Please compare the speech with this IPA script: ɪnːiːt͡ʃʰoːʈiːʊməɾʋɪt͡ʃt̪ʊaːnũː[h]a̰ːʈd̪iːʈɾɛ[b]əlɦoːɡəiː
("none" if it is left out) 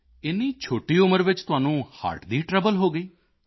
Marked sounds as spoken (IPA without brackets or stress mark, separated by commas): h, b